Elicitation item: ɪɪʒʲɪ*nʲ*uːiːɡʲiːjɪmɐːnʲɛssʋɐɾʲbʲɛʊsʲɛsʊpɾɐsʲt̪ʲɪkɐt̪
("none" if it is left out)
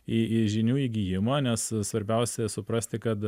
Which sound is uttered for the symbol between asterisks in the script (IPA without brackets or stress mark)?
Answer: nʲ